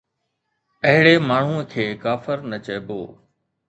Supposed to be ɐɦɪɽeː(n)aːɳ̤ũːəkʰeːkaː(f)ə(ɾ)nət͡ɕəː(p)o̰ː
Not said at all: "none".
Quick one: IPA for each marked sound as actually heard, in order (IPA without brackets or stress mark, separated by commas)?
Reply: m, f, ɾ, b